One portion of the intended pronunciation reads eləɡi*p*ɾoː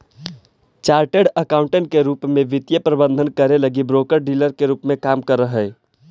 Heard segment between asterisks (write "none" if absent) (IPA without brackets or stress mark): b